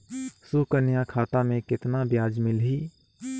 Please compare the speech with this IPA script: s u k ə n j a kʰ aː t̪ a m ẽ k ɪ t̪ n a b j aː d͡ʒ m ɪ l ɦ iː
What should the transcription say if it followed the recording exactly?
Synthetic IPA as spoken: s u k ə n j a kʰ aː t̪ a m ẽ k ɪ t̪ n a b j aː d͡ʒ m ɪ l ɦ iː